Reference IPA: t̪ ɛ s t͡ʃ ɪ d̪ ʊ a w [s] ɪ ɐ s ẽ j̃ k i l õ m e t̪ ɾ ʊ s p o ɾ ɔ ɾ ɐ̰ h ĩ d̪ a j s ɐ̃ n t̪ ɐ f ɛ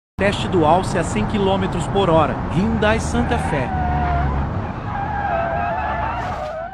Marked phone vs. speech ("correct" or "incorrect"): correct